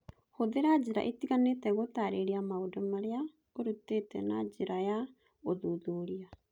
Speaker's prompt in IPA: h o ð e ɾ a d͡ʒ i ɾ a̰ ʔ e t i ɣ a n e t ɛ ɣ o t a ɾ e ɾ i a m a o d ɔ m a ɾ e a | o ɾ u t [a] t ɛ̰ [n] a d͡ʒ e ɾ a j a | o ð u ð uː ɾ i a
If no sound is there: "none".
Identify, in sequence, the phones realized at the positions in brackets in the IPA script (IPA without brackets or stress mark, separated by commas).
e, n